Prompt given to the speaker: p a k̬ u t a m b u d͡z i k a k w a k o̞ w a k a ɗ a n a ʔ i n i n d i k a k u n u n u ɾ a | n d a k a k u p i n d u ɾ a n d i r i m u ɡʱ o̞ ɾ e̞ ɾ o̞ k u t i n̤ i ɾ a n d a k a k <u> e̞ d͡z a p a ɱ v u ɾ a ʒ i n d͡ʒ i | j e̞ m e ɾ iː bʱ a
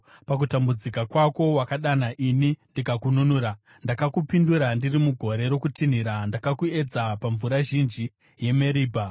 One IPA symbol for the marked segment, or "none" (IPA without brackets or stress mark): u